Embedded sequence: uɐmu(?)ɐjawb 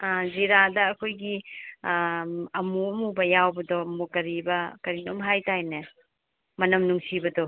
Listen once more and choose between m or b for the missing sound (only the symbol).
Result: b